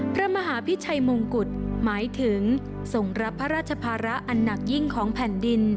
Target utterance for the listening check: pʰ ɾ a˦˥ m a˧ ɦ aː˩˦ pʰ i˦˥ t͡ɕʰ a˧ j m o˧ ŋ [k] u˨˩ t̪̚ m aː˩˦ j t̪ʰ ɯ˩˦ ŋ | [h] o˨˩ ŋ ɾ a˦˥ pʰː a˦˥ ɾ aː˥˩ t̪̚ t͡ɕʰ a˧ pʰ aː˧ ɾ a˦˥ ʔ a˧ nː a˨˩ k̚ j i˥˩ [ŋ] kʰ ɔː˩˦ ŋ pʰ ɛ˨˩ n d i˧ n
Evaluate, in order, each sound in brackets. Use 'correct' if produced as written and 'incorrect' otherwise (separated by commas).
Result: correct, incorrect, correct